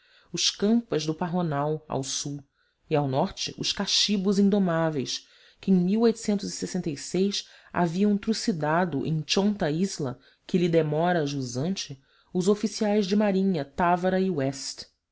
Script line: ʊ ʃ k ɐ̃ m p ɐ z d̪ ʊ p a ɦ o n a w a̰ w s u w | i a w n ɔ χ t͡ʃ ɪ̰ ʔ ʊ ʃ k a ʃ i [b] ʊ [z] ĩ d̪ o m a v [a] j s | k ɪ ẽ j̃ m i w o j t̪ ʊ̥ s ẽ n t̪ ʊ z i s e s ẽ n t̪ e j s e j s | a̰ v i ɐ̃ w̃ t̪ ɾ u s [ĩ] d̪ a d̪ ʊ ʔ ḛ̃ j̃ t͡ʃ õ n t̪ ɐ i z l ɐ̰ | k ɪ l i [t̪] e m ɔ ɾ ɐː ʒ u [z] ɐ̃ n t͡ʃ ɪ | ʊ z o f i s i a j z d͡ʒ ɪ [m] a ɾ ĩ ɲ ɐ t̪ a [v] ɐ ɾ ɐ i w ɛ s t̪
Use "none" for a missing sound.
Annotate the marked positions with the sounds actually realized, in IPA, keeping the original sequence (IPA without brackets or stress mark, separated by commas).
b, z, e, i, d̪, z, m, v